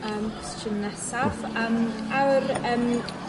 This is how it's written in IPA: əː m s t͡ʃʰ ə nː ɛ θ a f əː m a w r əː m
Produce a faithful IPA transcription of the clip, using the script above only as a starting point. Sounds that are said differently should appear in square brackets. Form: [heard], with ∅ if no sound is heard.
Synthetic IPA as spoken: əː m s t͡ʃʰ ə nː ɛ [s] a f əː m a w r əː m